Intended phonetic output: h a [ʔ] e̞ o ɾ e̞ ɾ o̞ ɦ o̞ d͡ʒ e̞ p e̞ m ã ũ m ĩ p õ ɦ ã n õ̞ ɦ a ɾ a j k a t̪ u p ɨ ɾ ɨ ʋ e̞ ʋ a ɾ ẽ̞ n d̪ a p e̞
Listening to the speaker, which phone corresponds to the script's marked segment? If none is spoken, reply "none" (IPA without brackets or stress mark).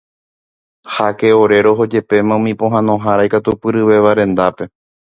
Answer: k